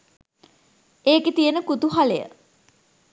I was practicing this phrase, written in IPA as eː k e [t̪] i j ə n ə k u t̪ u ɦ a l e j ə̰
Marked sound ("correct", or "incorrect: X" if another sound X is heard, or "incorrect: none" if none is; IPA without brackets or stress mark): correct